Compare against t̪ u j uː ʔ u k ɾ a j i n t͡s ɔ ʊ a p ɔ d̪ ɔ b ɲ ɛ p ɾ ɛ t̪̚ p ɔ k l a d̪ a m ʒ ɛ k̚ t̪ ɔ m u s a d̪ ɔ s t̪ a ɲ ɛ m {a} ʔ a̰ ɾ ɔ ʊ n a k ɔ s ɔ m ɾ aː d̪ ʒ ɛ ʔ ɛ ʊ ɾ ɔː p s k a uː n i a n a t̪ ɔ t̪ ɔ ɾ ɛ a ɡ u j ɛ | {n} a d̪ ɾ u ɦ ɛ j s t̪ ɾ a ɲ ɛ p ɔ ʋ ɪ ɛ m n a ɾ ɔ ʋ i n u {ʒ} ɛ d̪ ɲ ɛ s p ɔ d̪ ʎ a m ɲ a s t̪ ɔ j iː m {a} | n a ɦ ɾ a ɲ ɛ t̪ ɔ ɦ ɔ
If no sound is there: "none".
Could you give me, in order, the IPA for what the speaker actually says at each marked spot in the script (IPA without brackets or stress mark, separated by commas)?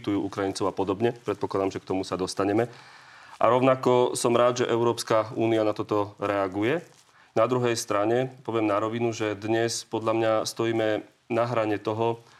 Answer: ɛ, n, ʒ, ɛ